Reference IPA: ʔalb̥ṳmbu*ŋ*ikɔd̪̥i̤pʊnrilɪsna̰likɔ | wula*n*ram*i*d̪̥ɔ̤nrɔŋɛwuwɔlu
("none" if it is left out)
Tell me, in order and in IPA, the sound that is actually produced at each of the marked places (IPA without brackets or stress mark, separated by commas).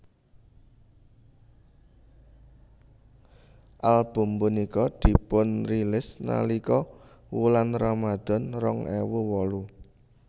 n, n, a